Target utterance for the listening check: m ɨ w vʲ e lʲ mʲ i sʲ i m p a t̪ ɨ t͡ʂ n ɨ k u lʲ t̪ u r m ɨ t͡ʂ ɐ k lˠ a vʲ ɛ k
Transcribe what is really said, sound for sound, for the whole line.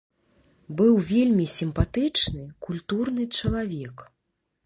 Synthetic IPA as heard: b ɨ w vʲ e lʲ mʲ i sʲ i m p a t̪ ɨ t͡ʂ n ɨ k u lʲ t̪ u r n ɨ t͡ʂ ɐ lˠ a vʲ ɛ k